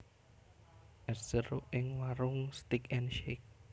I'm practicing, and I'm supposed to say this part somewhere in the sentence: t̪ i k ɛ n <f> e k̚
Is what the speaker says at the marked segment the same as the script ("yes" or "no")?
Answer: no